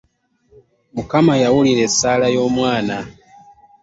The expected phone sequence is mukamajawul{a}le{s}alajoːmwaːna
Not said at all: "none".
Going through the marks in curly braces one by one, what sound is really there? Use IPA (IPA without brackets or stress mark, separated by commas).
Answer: i, s